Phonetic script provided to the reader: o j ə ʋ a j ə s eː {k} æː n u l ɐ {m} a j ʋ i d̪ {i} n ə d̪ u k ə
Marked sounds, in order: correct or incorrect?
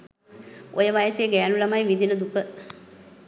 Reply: incorrect, correct, correct

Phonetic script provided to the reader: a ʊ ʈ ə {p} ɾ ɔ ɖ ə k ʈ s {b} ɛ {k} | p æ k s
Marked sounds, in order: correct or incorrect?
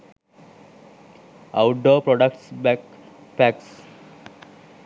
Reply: correct, correct, correct

